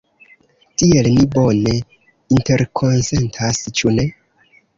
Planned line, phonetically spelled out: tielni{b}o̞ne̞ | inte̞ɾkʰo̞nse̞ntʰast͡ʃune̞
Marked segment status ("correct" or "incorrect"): correct